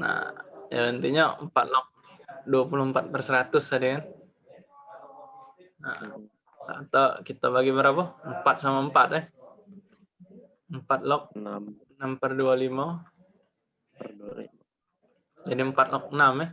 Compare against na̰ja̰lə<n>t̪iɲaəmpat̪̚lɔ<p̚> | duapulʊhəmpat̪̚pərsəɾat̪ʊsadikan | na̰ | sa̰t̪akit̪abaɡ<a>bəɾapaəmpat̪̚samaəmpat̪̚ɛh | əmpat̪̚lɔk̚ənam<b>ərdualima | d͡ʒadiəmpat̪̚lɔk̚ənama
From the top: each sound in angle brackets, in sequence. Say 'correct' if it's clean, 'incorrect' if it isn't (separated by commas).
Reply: correct, incorrect, incorrect, incorrect